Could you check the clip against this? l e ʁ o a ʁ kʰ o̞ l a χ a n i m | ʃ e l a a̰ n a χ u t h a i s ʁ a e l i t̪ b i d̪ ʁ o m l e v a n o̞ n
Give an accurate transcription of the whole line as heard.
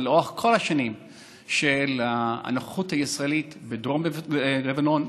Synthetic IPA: l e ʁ o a χ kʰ o̞ l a ʃ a n i m | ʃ e l a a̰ n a χ u t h a i s ʁ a e l i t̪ b e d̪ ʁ o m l e v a n o̞ n